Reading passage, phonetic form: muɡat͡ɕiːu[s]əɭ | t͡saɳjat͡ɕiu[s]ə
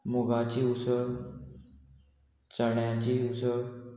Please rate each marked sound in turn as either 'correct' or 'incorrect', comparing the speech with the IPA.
correct, correct

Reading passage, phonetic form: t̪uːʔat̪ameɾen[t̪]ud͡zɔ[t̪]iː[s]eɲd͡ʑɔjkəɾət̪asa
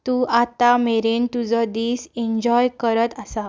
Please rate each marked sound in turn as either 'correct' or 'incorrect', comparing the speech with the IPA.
correct, incorrect: d̪, correct

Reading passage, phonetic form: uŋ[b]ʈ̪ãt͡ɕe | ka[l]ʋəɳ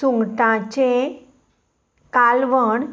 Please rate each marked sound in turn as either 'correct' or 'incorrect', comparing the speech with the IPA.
incorrect: ɡ, correct

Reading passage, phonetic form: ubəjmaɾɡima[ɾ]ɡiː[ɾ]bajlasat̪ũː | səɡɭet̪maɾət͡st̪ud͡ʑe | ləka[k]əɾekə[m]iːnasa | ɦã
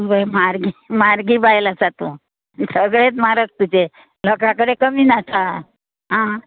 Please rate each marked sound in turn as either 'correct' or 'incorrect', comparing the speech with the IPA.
correct, incorrect: none, correct, correct

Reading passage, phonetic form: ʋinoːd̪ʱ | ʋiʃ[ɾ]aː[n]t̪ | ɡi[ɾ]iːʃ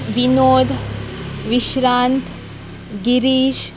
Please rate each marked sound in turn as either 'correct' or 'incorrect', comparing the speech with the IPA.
correct, correct, correct

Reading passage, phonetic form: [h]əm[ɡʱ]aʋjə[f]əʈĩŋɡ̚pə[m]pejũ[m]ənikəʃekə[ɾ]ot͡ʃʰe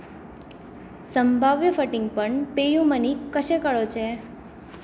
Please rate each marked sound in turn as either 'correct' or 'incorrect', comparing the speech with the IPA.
incorrect: s, incorrect: bʱ, correct, incorrect: ɳ, correct, incorrect: ɭ

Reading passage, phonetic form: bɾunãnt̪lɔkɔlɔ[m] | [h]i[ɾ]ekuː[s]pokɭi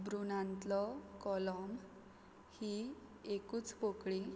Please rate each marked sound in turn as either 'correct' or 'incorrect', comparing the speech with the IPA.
correct, correct, incorrect: none, incorrect: t͡s

